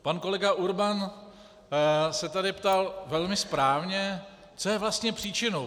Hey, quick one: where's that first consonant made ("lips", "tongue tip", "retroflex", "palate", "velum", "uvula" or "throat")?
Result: lips